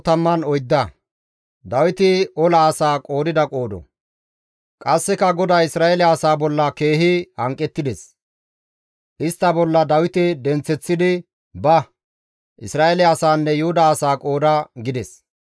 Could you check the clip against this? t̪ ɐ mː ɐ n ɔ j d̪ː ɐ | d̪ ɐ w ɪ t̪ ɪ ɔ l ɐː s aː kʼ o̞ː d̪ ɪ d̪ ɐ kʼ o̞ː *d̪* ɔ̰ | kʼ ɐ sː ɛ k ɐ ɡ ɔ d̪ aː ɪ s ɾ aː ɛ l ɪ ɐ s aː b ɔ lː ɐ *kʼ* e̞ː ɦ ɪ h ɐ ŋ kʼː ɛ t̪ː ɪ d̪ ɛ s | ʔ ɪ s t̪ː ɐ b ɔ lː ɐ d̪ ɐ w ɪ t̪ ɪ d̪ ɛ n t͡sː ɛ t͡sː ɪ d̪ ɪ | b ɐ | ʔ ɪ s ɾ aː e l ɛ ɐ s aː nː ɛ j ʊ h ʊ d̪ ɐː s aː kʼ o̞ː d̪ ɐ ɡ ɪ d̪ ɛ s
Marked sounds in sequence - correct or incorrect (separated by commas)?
correct, incorrect